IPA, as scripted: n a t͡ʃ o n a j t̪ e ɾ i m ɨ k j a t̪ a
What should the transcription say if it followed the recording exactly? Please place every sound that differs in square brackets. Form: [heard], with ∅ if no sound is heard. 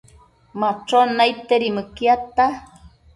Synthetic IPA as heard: [m] a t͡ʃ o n a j t̪ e ɾ i m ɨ k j a t̪ a